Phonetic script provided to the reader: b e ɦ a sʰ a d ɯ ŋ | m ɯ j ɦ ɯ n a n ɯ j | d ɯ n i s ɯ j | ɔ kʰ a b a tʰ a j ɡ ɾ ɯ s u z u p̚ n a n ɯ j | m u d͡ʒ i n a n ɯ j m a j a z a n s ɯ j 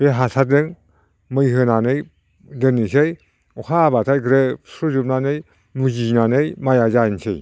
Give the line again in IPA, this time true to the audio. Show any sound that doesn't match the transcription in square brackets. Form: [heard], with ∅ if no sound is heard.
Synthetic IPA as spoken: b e ɦ a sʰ a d ɯ ŋ | m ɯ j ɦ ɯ n a n ɯ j | d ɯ n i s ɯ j | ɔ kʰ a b a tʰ a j ɡ ɾ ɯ s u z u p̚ n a n ɯ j | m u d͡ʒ i n a n ɯ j m a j a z a n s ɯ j